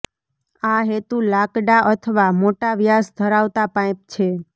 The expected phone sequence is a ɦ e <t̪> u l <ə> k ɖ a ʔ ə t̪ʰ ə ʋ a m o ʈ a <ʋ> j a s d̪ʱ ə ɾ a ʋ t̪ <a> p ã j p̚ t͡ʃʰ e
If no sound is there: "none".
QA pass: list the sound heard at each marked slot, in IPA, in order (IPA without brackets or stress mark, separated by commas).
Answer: t̪, a, ʋ, a